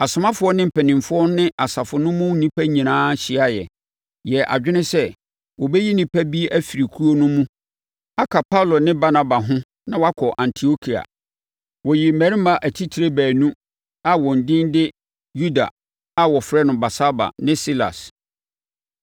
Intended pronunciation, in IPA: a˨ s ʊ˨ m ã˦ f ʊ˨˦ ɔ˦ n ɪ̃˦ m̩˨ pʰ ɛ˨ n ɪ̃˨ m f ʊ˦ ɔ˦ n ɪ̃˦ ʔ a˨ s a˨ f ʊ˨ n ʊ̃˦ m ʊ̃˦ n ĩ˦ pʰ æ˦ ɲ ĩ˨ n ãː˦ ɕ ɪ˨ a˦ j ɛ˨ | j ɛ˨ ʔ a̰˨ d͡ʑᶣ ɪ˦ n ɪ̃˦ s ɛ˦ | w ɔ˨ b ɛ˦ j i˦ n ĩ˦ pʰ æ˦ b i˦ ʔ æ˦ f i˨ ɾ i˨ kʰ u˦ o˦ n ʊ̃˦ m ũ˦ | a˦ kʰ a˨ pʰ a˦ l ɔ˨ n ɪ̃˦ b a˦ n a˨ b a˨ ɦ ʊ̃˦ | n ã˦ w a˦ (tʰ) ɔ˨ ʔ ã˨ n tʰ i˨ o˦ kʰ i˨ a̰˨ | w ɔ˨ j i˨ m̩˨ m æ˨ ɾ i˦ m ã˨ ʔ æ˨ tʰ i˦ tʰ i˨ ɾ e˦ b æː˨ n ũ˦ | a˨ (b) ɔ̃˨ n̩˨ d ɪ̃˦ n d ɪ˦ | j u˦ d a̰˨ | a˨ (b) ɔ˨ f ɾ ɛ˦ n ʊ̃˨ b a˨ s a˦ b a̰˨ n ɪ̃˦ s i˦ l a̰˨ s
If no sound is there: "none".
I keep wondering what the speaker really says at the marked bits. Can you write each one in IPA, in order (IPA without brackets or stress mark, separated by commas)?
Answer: kʰ, w, w